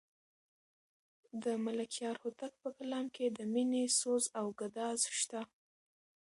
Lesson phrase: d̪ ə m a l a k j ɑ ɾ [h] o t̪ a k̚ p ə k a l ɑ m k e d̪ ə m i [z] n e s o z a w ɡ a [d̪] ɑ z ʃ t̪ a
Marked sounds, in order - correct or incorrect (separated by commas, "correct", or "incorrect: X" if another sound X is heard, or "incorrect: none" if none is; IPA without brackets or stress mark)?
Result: correct, incorrect: none, correct